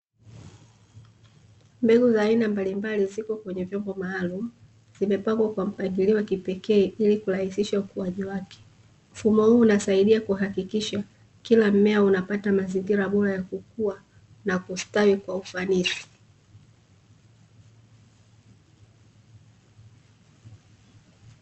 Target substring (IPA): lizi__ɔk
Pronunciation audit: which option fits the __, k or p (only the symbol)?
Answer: k